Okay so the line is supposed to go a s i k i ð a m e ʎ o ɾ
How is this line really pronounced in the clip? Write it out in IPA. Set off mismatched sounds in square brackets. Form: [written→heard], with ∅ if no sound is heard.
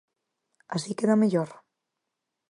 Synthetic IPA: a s i k [i→e] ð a m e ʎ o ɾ